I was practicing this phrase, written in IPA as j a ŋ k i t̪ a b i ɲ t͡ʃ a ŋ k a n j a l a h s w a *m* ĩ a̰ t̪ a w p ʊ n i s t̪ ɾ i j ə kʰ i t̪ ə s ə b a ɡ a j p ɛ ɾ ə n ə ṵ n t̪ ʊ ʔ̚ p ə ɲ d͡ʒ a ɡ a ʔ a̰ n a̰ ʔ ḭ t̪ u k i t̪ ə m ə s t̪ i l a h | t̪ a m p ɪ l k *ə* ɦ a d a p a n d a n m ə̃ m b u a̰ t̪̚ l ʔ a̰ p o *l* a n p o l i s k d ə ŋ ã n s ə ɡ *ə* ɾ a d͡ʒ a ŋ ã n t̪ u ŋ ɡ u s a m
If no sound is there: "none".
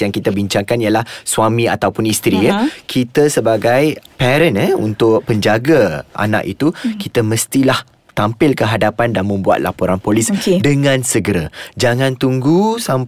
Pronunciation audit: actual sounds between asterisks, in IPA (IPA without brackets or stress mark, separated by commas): m, ə, ɾ, ə